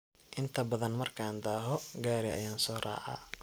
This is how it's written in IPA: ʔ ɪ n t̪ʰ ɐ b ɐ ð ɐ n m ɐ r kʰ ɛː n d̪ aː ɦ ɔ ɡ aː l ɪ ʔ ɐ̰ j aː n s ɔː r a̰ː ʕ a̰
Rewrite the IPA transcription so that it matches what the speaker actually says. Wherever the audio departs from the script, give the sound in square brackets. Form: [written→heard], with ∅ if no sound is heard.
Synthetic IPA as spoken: ʔ ɪ n t̪ʰ ɐ b ɐ ð ɐ n m ɐ r kʰ [ɛː→aː] n d̪ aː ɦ ɔ ɡ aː [l→ɾ] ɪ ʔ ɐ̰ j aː n s ɔː r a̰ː ʕ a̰